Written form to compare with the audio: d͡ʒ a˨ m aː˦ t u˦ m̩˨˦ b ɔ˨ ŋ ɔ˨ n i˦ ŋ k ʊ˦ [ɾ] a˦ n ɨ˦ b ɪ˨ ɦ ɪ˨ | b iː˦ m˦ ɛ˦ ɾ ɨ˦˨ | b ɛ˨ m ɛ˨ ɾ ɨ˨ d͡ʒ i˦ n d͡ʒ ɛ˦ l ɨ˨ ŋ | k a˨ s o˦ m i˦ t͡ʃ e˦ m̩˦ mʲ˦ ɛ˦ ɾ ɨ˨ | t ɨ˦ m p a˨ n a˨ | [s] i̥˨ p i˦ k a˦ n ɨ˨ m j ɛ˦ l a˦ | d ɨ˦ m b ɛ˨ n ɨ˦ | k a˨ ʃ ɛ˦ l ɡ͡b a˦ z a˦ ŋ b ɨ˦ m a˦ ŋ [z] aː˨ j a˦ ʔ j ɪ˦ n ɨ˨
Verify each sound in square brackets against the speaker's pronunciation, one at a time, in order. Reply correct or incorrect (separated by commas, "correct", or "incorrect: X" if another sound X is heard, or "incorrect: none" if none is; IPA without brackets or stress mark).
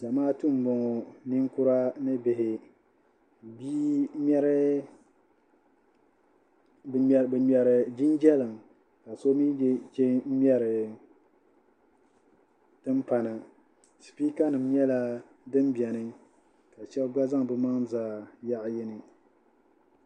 correct, correct, correct